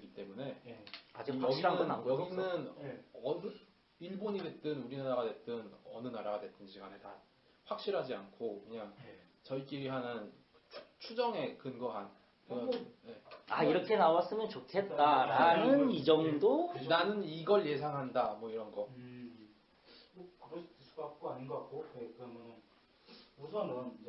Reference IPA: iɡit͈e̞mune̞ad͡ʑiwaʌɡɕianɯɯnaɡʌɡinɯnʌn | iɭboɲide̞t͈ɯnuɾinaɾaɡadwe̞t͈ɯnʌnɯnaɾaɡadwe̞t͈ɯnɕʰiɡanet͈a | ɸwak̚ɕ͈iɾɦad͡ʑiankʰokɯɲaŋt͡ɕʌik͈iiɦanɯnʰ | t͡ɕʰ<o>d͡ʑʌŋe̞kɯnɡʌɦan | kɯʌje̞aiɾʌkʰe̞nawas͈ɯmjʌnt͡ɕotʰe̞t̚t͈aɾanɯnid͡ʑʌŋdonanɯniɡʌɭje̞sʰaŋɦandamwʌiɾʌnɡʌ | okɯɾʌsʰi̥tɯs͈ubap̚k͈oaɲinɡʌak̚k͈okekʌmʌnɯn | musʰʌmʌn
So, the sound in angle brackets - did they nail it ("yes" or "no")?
no